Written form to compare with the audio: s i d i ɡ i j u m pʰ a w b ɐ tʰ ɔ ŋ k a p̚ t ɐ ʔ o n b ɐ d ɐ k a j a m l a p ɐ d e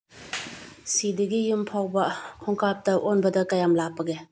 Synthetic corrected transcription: s i d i ɡ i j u m pʰ a w b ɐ kʰ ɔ ŋ k a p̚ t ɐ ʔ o n b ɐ d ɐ k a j a m l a p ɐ ɡ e